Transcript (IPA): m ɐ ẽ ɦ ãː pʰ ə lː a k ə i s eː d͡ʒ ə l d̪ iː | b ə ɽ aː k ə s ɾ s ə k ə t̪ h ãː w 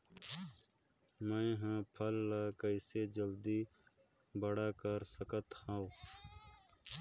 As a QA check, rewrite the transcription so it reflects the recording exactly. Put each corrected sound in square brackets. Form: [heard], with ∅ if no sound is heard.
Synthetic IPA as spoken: m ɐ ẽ ɦ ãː pʰ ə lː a k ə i s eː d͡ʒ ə l d̪ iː | b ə ɽ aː k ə [∅] ɾ s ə k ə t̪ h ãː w

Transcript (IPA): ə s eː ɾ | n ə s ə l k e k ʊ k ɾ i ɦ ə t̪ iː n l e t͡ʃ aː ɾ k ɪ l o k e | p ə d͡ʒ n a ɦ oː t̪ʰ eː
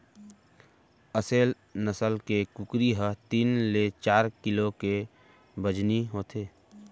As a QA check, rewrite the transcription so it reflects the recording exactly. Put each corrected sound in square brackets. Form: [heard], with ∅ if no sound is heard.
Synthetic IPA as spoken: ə s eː [l] | n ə s ə l k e k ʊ k ɾ i ɦ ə t̪ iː n l e t͡ʃ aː ɾ k ɪ l o k e | [b] ə d͡ʒ n [i] ɦ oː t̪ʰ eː

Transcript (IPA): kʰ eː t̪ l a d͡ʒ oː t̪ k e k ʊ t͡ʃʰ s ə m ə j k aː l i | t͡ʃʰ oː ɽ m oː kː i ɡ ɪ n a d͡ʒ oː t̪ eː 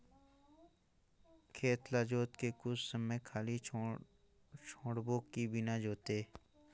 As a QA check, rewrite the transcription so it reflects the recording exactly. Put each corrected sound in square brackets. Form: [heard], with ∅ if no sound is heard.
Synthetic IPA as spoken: kʰ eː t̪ l a d͡ʒ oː t̪ k e k ʊ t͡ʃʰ s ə m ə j [kʰ] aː l i | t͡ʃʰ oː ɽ [b] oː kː i [b] ɪ n a d͡ʒ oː t̪ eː

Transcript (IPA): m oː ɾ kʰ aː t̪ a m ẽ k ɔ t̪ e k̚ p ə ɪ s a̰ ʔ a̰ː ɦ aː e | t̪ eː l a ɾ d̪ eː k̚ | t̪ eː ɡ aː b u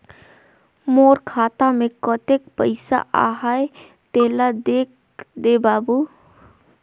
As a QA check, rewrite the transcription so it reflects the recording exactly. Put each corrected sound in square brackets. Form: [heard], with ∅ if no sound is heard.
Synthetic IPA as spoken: m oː ɾ kʰ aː t̪ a m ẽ k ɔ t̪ e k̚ p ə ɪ s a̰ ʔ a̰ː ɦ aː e | t̪ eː l a [∅] d̪ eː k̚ | [d̪] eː [b] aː b u

